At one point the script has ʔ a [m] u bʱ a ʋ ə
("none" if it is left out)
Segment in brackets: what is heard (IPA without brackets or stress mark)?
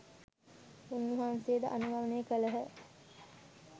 n